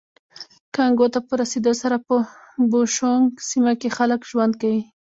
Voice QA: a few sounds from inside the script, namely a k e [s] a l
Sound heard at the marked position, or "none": x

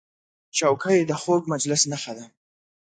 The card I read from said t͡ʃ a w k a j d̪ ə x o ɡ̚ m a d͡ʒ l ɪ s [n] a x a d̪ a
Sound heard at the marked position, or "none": n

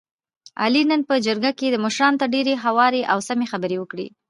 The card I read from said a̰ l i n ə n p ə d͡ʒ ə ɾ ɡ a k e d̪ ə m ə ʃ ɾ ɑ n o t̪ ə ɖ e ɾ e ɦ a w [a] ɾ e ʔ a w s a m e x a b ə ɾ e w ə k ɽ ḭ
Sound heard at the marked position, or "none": ɑ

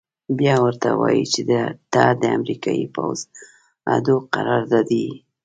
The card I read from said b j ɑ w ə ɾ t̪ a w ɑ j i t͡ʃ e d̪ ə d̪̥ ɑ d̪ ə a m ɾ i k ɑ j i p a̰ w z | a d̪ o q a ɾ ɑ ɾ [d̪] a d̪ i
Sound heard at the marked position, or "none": d̪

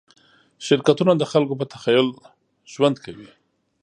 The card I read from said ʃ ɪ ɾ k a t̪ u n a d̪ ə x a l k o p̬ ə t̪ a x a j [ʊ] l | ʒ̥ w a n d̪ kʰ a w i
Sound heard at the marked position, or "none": ʊ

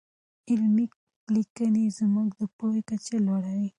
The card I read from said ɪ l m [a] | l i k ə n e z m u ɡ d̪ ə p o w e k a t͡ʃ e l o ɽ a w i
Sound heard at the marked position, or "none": i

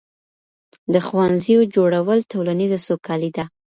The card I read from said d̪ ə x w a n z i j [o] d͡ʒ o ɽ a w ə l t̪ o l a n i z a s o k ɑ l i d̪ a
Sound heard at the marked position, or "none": o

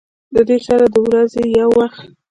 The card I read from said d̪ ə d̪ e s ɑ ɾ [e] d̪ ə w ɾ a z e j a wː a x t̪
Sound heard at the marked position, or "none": a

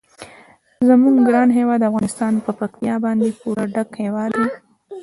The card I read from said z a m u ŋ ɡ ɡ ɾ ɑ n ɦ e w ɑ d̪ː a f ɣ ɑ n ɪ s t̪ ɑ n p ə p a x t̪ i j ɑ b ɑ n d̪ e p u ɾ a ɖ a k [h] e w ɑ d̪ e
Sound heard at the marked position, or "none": h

